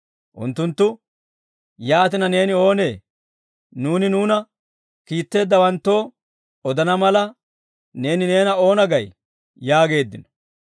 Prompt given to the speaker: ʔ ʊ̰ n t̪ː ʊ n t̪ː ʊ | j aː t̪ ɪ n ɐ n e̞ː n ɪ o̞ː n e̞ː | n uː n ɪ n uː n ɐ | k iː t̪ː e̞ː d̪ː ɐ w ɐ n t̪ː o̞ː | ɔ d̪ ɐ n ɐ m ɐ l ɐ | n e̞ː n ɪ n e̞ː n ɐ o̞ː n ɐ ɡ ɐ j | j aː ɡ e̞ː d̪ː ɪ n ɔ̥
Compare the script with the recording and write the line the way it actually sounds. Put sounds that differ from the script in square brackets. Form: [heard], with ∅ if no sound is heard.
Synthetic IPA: ʔ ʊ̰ n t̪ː ʊ n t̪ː ʊ | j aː t̪ ɪ n ɐ n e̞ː n ɪ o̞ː n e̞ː | n uː n ɪ n uː n ɐ | k iː t̪ː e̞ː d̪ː ɐ w ɐ n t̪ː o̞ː | ɔ d̪ ɐ n ɐ m ɐ l ɐ | n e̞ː n ɪ n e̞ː n ɐ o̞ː n ɐ ɡ ɐ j | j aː ɡ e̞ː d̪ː ɪ n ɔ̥